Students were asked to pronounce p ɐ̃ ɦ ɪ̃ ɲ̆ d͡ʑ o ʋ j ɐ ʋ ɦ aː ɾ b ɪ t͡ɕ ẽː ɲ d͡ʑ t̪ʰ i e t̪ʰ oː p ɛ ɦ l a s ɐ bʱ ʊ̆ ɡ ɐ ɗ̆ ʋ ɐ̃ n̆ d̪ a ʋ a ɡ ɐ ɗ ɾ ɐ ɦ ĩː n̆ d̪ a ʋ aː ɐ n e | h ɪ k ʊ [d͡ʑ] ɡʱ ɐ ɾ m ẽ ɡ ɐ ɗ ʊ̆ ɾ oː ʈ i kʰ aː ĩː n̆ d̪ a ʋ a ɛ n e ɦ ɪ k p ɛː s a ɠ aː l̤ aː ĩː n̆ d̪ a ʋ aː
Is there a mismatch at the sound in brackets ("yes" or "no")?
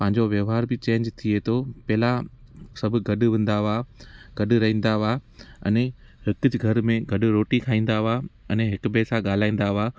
no